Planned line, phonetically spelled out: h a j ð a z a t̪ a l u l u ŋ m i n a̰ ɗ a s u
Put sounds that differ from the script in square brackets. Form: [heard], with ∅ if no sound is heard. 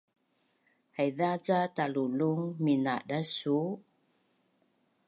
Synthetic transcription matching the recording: h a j ð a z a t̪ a l u l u ŋ m i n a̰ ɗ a s u